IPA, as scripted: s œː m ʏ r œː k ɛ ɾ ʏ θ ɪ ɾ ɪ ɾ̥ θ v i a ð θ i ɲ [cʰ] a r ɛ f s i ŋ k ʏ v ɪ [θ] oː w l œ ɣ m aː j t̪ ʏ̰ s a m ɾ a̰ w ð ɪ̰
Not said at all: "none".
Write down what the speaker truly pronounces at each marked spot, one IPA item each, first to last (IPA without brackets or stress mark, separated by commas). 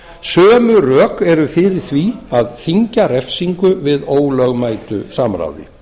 c, ð